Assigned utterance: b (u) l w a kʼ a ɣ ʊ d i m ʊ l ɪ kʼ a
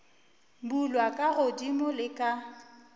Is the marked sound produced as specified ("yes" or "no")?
yes